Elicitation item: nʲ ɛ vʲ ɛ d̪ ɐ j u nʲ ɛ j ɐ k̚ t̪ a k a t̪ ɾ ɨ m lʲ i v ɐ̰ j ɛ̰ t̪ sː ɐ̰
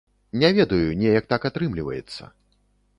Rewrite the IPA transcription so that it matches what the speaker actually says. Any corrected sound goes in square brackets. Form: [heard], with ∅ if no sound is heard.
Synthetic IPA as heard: nʲ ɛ vʲ ɛ d̪ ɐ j u nʲ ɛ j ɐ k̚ t̪ a k a t̪ ɾ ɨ m lʲ i v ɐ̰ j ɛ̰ t̪ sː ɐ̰